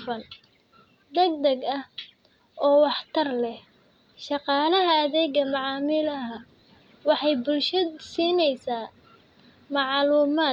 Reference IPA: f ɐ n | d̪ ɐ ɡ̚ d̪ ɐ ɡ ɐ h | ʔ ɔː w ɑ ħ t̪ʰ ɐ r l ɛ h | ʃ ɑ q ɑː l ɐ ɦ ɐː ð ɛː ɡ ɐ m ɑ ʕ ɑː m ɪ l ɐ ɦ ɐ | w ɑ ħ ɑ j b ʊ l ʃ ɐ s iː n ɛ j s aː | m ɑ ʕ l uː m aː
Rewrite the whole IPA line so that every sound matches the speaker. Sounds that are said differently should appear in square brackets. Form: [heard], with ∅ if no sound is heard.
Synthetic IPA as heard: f ɐ n | d̪ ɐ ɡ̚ d̪ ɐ ɡ ɐ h | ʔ ɔː w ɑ ħ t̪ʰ ɐ r l ɛ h | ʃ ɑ q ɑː l ɐ ɦ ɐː ð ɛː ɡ ɐ m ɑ ʕ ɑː m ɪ l ɐ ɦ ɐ | w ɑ ħ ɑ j b ʊ l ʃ ɐ s iː n ɛ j s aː | m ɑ ʕ l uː m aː

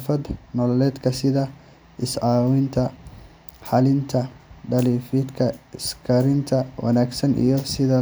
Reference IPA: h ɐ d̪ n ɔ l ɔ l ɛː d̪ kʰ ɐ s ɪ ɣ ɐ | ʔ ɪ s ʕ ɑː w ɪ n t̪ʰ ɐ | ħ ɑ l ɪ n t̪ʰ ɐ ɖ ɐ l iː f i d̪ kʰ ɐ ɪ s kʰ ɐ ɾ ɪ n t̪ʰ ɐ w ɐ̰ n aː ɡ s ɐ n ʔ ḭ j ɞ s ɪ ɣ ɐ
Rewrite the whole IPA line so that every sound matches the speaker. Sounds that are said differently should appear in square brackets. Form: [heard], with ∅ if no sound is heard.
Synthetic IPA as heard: [f] ɐ d̪ n ɔ l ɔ l ɛː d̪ kʰ ɐ s ɪ [ð] ɐ | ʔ ɪ s ʕ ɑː w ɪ n t̪ʰ ɐ | ħ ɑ l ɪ n t̪ʰ ɐ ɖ ɐ l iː f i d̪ kʰ ɐ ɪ s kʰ ɐ ɾ ɪ n t̪ʰ ɐ w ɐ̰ n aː ɡ s ɐ n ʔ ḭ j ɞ s ɪ [ð] ɐ

